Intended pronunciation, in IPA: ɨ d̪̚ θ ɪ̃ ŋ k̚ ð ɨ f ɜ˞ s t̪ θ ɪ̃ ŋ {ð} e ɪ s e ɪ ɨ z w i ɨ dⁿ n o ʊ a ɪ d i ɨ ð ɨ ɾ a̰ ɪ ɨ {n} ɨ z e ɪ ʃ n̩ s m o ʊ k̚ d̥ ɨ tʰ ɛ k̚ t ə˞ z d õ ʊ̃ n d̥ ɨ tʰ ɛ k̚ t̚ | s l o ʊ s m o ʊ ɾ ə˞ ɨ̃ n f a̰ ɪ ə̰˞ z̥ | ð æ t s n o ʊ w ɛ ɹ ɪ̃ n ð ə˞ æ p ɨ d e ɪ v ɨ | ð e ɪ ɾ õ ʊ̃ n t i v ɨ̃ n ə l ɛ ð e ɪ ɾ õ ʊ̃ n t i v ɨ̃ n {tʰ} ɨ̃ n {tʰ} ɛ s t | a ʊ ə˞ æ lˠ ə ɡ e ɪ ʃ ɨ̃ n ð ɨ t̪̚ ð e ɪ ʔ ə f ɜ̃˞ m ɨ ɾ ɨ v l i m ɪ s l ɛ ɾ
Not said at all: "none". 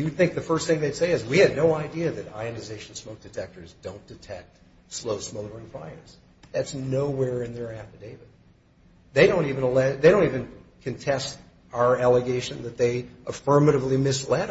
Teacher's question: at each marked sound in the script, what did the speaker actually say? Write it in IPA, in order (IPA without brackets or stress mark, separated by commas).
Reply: ð, n, kʰ, tʰ